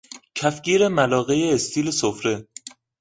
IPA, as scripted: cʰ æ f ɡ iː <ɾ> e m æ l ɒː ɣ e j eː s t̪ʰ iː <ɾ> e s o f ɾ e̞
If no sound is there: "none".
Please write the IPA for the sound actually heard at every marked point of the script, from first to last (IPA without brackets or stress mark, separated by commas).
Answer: ɾ, l